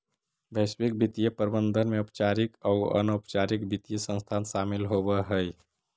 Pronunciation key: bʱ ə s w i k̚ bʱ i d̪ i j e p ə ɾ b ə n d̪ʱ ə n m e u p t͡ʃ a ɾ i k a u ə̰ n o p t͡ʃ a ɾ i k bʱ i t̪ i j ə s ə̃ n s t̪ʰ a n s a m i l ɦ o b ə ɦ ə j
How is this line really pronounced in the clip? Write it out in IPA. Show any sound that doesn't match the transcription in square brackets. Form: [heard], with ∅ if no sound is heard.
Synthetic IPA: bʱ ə s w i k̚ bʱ i [t̪] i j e p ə ɾ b ə n d̪ʱ ə n m e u p t͡ʃ a ɾ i k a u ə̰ n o p t͡ʃ a ɾ i k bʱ i t̪ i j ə s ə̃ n s t̪ʰ a n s a m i l ɦ o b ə ɦ ə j

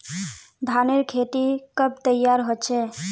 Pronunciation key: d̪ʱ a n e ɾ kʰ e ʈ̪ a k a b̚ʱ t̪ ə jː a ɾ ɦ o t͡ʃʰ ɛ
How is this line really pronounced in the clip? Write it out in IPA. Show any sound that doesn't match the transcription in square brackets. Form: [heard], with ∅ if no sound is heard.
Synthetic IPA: d̪ʱ a n e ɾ kʰ e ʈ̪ [i] k [ə] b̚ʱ t̪ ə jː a ɾ ɦ o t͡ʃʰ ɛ

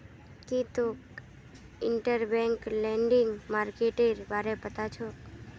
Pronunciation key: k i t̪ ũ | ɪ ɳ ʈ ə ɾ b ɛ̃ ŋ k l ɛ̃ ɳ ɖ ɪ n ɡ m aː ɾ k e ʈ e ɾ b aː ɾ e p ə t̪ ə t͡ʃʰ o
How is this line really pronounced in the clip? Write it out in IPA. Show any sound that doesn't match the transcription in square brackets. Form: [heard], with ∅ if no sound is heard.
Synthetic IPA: k i t̪ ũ | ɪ ɳ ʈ ə ɾ b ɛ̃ ŋ k l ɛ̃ ɳ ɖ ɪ [ŋ] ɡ m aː ɾ k e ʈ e ɾ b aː ɾ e p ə t̪ [a] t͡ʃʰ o

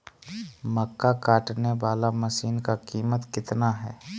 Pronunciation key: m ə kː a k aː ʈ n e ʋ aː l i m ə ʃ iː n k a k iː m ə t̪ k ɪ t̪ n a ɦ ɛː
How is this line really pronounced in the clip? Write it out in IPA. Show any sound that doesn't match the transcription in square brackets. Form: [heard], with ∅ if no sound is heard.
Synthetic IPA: m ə kː a k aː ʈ n e ʋ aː l [a] m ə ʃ iː n k a k iː m ə t̪ k ɪ t̪ n a ɦ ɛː

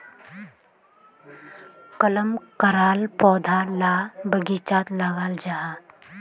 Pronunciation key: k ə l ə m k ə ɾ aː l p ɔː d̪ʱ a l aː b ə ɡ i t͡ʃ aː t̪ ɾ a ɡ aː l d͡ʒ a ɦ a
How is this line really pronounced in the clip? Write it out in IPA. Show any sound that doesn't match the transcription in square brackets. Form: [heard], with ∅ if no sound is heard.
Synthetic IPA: k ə l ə m k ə ɾ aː l p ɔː d̪ʱ a l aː b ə ɡ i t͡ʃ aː t̪ [l] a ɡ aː l d͡ʒ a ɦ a

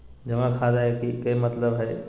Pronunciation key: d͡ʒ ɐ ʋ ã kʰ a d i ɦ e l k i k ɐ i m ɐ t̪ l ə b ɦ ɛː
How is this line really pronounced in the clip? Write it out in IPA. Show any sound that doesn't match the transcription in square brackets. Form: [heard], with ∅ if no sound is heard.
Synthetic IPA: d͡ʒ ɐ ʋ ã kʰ a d [a] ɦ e [∅] k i k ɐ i m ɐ t̪ l ə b ɦ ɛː

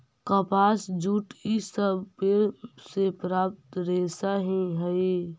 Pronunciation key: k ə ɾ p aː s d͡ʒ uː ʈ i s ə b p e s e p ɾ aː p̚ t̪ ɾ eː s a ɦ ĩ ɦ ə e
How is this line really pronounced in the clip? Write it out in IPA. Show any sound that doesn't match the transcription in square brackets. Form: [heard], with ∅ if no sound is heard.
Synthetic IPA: k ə [∅] p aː s d͡ʒ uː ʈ i s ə b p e s e p ɾ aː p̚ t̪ ɾ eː s a ɦ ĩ ɦ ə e

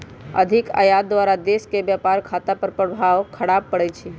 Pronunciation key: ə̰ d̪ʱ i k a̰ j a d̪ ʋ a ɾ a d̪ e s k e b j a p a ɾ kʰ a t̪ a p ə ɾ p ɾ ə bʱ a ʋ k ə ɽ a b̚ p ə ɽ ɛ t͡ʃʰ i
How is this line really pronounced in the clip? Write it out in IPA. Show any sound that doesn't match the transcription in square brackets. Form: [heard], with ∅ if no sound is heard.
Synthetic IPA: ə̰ d̪ʱ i k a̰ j a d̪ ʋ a ɾ a d̪ e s k e b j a p a ɾ kʰ a t̪ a p ə ɾ p ɾ ə bʱ a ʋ [kʰ] ə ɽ a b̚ p ə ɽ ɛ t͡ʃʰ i

